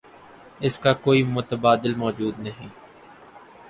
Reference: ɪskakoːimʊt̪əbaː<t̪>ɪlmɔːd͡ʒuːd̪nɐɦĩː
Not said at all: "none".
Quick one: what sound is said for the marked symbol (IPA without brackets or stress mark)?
d̪